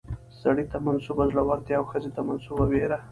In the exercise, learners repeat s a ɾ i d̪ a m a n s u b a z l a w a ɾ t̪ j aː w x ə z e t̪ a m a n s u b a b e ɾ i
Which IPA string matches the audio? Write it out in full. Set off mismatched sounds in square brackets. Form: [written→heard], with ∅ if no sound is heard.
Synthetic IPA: s a [ɾ→ɽ] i [d̪→t̪] a m a n s u b a z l a w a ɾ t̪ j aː w x ə z e t̪ a m a n s u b a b e ɾ [i→a]

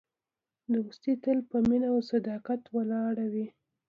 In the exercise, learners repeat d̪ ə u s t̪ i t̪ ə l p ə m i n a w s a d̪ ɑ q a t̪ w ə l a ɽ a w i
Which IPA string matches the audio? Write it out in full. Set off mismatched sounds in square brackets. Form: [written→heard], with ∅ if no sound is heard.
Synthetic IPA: d̪ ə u s t̪ i t̪ ə l p ə m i n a w s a d̪ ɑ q a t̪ w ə l [a→ɑ] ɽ a w i

